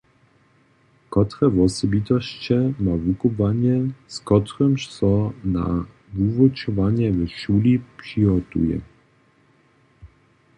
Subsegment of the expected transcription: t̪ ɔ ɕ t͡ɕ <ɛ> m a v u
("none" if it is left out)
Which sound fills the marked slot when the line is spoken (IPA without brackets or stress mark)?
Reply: ɛ